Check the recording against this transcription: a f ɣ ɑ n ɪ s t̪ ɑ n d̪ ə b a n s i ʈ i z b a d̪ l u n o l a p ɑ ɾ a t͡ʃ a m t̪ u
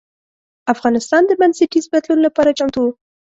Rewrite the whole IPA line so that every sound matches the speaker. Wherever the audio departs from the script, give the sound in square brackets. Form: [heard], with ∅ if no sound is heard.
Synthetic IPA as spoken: a f ɣ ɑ n ɪ s t̪ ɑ n d̪ ə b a n s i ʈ i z b a d̪ l u n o l a p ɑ ɾ a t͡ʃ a m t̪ u